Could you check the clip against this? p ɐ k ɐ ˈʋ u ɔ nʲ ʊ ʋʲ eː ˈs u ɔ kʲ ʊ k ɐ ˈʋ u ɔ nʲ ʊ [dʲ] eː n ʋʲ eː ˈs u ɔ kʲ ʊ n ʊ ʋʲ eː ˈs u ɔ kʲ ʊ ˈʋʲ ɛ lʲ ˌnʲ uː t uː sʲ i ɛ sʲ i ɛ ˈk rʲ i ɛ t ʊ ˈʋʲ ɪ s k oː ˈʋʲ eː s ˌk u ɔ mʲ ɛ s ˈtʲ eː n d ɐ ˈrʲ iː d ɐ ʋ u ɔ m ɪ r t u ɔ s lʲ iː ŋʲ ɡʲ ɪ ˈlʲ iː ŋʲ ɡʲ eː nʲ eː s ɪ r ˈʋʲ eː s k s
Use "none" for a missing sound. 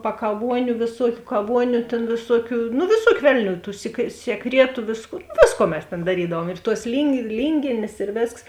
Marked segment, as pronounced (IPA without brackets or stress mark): tʲ